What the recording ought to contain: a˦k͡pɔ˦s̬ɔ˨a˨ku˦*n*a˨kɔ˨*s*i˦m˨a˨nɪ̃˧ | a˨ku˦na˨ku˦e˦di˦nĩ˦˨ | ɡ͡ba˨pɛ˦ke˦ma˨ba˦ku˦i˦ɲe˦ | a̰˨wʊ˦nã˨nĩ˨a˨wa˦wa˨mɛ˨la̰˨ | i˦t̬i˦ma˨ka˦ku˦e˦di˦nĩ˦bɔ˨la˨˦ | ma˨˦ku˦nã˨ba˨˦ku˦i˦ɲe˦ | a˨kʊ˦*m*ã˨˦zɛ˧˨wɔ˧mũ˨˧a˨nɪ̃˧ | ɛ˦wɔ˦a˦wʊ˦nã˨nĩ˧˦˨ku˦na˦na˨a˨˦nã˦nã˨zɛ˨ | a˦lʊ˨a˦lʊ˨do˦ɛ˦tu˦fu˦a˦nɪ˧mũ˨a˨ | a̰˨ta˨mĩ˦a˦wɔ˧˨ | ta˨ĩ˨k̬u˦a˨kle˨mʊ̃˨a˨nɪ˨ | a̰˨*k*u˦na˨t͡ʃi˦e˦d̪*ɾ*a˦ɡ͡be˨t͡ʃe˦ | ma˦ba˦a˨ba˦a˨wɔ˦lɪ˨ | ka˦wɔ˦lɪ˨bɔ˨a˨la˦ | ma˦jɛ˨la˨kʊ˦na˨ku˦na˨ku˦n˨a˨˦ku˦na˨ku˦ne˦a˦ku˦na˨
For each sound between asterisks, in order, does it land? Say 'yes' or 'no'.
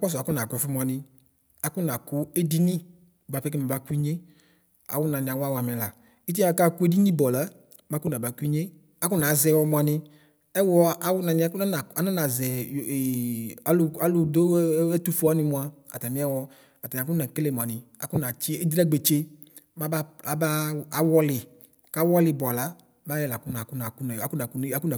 yes, no, no, yes, yes

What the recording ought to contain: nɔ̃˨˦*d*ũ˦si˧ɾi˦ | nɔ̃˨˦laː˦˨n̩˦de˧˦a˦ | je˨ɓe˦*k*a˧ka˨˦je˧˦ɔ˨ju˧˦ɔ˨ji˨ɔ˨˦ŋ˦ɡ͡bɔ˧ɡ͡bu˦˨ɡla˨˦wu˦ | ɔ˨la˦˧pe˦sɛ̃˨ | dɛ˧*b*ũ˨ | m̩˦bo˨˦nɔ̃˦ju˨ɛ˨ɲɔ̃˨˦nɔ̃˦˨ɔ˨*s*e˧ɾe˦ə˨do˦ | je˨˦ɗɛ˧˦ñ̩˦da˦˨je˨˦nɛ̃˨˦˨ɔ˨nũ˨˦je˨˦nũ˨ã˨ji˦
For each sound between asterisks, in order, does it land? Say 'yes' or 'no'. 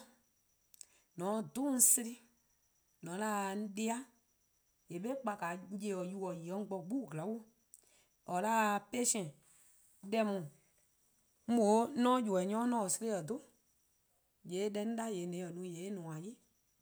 yes, no, no, yes

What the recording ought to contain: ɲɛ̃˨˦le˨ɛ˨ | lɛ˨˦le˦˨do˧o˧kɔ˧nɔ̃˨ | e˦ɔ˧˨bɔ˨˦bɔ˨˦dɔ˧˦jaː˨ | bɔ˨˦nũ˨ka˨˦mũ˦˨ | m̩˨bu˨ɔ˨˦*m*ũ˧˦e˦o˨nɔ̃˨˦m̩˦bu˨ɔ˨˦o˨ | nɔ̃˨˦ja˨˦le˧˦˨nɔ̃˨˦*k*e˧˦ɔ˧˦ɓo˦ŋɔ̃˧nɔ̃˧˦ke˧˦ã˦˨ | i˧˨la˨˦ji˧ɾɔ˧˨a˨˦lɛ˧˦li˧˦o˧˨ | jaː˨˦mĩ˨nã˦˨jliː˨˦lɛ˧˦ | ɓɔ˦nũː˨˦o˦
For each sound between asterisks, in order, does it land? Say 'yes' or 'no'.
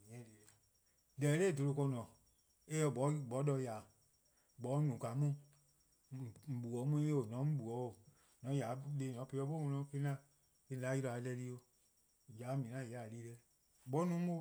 yes, no

